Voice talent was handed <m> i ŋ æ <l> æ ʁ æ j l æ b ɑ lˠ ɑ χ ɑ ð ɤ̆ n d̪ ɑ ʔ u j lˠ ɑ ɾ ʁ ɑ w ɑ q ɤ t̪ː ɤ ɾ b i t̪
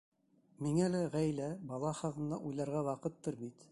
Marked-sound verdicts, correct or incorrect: correct, correct

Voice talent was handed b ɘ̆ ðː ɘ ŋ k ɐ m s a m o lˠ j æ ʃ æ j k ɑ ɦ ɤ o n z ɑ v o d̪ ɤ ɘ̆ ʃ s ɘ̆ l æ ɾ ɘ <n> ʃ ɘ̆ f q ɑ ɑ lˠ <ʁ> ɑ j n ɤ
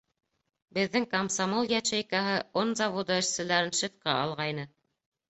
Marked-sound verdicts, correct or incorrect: correct, correct

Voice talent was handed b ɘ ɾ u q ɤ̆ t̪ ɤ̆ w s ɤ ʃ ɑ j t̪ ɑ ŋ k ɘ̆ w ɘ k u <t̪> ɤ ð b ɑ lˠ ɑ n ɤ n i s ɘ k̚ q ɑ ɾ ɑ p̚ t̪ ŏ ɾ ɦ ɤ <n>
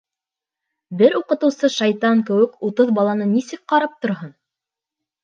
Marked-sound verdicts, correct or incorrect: correct, correct

